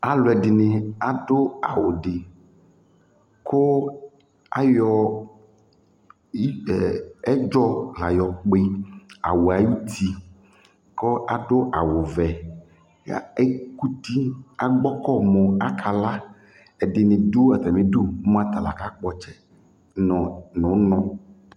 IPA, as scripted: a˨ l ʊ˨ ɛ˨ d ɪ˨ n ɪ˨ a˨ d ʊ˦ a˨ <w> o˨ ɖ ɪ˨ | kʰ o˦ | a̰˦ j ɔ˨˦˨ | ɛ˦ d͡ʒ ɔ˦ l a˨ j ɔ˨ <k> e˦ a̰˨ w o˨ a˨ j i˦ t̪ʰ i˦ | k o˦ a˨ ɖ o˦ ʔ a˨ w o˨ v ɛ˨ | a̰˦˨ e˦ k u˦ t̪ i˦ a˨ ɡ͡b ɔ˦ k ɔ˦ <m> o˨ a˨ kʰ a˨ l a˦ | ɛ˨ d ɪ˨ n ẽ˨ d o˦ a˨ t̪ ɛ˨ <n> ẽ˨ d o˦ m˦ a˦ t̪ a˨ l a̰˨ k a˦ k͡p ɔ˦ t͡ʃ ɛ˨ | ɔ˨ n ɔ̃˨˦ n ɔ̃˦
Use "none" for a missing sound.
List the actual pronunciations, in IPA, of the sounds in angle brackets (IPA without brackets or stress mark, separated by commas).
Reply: w, k͡p, m, m